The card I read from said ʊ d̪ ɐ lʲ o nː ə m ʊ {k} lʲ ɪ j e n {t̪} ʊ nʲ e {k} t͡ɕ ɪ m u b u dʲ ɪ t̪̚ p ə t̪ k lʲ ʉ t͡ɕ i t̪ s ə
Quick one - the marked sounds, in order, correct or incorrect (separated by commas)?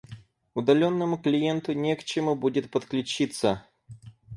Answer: correct, correct, correct